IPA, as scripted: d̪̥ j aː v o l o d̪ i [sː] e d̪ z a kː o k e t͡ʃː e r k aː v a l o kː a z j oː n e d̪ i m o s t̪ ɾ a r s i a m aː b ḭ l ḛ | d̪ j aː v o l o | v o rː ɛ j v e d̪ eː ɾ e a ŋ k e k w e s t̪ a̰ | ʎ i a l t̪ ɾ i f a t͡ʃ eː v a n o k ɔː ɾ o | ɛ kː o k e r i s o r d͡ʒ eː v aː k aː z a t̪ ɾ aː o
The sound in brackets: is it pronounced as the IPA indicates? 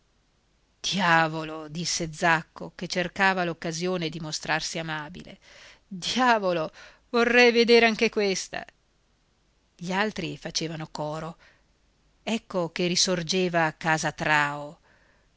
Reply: yes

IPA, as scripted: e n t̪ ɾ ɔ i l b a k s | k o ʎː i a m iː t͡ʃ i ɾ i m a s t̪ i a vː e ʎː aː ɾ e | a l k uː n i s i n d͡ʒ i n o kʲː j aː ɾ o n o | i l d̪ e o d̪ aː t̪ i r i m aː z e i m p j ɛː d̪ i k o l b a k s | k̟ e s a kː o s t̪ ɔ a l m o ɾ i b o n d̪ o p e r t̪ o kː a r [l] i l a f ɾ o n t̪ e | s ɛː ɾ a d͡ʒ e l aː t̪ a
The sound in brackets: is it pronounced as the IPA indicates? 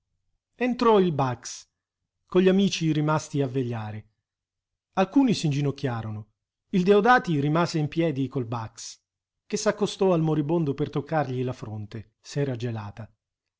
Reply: no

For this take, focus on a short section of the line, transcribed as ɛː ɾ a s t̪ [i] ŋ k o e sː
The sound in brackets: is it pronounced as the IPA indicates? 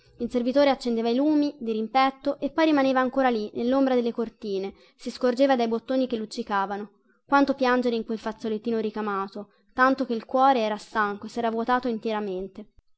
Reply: no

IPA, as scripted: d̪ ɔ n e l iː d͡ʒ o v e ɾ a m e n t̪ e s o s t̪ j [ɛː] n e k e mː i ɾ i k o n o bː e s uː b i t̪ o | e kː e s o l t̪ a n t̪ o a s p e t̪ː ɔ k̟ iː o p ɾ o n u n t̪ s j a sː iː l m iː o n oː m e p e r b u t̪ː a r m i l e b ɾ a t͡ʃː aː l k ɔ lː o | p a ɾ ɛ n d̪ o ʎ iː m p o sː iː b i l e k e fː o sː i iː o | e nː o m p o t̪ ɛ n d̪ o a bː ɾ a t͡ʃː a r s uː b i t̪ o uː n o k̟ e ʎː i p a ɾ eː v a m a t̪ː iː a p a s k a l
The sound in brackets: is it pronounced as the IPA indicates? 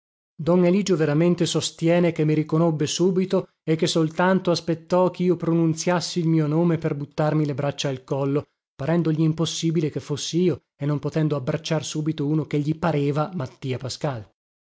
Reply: yes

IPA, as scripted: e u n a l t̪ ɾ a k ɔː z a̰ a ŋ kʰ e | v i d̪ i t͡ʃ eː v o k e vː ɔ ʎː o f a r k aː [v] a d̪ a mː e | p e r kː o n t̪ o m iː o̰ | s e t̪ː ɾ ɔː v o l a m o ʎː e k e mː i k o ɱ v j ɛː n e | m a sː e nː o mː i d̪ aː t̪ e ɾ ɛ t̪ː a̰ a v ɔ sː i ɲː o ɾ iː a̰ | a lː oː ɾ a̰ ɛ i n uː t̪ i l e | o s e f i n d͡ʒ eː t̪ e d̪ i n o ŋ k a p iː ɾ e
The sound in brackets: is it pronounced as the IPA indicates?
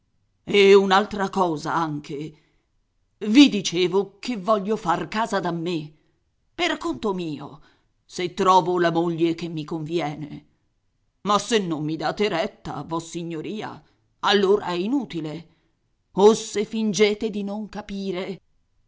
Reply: no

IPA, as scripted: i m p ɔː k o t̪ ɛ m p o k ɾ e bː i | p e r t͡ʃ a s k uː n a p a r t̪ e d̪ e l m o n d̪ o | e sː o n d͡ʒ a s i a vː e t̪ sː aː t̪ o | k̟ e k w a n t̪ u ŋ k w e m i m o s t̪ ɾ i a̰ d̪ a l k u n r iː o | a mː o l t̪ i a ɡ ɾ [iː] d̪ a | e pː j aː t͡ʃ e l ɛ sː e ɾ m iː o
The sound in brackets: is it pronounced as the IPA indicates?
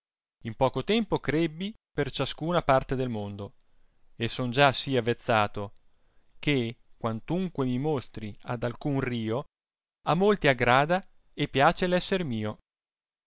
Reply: no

